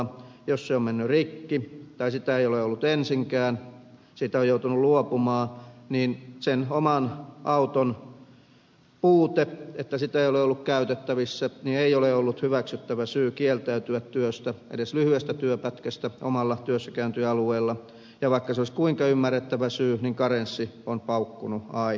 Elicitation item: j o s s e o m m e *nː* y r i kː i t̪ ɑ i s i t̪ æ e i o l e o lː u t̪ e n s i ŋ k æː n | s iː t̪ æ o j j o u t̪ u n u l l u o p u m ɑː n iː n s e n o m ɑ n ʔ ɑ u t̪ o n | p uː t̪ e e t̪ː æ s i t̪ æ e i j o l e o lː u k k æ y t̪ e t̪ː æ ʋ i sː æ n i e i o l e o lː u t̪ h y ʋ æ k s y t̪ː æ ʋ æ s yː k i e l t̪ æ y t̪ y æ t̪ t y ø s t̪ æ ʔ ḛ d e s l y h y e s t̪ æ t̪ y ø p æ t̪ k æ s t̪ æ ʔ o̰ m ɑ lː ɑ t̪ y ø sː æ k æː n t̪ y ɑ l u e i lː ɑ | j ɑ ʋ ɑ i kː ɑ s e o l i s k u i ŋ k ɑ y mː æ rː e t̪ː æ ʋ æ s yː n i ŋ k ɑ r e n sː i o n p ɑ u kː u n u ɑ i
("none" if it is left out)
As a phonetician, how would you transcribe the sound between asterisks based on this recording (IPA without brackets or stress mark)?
nː